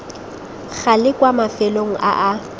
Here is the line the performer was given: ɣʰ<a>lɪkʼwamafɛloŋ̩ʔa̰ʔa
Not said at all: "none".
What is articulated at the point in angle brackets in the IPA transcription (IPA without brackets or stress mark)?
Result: a